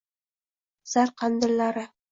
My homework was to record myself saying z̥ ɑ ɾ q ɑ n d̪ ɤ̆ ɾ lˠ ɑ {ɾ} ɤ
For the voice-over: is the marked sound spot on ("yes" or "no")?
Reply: yes